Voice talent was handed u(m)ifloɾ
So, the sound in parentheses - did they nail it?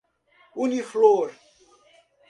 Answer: no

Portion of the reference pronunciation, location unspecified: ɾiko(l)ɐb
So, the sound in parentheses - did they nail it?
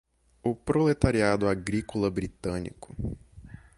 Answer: yes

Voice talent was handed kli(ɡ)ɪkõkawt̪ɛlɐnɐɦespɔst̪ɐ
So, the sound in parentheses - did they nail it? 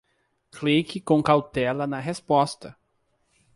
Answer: no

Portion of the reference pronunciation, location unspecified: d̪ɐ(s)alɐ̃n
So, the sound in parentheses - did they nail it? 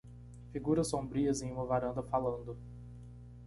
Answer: no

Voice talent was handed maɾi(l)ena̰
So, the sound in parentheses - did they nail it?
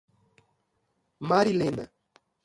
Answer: yes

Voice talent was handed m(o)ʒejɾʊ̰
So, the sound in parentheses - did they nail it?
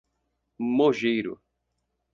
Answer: yes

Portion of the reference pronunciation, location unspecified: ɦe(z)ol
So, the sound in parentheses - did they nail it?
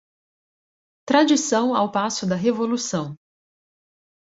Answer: no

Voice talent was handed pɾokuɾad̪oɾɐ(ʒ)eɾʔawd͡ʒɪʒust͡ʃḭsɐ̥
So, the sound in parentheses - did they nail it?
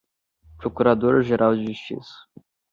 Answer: yes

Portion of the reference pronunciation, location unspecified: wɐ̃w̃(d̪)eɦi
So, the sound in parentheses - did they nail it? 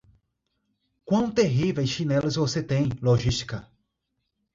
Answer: no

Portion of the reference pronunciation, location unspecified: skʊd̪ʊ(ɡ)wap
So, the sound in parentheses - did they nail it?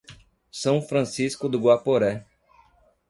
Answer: yes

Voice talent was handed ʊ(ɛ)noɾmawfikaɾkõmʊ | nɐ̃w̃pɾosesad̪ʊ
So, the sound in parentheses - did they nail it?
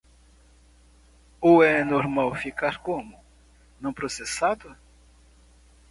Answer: yes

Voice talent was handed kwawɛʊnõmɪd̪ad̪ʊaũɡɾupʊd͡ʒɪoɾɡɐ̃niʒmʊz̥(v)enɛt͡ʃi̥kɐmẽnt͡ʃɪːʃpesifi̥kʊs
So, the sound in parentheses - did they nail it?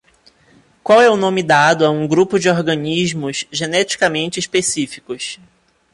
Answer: no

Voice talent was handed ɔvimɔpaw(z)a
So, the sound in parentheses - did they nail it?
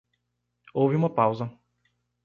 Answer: yes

